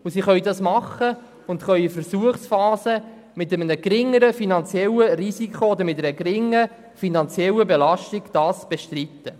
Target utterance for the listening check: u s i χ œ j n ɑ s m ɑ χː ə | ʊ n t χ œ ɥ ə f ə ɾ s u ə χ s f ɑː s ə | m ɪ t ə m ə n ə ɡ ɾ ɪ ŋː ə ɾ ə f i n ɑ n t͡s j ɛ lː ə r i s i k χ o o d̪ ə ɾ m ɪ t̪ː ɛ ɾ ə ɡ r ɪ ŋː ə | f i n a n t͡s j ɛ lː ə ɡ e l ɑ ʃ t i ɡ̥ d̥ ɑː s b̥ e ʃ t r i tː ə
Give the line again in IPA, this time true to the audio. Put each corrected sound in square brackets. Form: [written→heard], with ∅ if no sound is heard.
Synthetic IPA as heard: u s i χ œ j [n→d] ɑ s m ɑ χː ə | ʊ n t χ œ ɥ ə f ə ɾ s u ə χ s f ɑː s ə | m ɪ t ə m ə n ə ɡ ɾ ɪ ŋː ə ɾ ə f i n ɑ n t͡s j ɛ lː ə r i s i k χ o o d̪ ə ɾ m ɪ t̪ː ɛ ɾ ə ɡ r ɪ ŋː ə | f i n [a→ɑ] n t͡s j ɛ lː ə [ɡ→b] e l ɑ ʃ t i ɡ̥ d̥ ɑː s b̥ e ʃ t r i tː ə